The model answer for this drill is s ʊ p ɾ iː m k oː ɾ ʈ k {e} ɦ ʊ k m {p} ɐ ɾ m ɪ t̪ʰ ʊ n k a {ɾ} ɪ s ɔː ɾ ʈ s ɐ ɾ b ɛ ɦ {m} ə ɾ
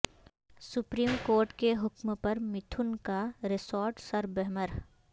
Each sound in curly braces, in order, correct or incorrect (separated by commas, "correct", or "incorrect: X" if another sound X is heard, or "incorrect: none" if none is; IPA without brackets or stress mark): correct, correct, correct, correct